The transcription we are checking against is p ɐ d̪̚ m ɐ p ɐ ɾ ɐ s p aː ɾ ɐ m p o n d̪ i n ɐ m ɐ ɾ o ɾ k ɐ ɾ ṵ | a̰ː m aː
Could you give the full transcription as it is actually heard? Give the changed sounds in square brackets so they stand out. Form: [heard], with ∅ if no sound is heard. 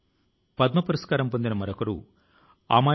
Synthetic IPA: p ɐ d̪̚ m ɐ p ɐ ɾ ɐ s [k] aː ɾ ɐ m p o n d̪ i n ɐ m ɐ ɾ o [∅] k ɐ ɾ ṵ | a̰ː m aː